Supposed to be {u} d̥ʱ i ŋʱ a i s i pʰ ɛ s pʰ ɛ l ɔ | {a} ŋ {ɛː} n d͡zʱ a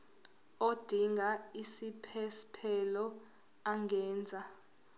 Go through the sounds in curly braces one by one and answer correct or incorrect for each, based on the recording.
incorrect: o, correct, correct

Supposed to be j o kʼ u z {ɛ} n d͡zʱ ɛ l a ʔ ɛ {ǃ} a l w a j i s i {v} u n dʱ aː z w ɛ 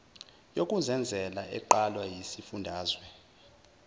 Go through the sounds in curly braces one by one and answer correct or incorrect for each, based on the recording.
correct, correct, incorrect: f

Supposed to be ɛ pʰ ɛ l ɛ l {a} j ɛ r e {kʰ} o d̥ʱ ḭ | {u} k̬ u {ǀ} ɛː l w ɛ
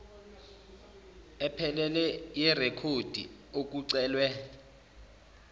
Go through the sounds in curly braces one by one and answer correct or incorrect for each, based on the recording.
incorrect: ɛ, correct, incorrect: o, correct

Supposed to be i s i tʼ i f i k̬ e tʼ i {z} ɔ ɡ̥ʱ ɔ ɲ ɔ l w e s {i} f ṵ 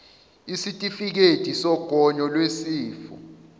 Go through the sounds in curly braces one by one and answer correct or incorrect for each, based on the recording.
incorrect: s, incorrect: iː

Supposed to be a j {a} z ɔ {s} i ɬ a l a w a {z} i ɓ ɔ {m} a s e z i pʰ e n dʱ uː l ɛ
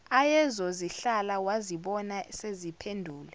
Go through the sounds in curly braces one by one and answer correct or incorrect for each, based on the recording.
incorrect: ɛ, incorrect: z, correct, incorrect: n

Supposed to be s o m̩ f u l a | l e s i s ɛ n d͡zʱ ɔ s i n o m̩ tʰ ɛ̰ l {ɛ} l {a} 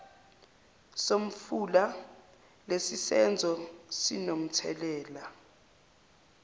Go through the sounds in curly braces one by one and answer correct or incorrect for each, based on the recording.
incorrect: ɛː, correct

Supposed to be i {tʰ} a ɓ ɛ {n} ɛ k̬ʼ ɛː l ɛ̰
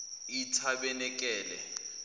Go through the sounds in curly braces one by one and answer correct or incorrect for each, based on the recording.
correct, correct

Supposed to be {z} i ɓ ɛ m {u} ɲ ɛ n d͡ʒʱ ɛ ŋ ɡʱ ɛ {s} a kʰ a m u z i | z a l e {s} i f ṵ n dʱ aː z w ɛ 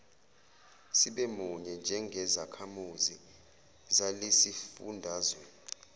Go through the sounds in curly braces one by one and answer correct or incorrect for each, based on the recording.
incorrect: s, correct, incorrect: z, correct

